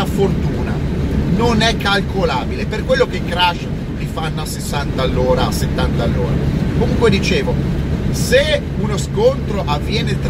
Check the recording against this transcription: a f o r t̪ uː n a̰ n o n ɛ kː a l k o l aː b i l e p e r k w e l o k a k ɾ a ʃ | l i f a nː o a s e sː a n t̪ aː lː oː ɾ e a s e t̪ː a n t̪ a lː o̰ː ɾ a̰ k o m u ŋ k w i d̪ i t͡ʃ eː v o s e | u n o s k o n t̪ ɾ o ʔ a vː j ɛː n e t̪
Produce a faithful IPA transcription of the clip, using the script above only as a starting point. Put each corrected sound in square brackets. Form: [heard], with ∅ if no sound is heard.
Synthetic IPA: a f o r t̪ uː n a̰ n o n ɛ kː a l k o l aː b i l e p e r k w e [lː] o k [e] k ɾ a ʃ | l i f a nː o a s e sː a n t̪ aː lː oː ɾ [a] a s e t̪ː a n t̪ a lː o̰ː ɾ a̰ k o m u ŋ k w [e] d̪ i t͡ʃ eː v o s e | u n o s k o n t̪ ɾ o ʔ a vː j ɛː n e t̪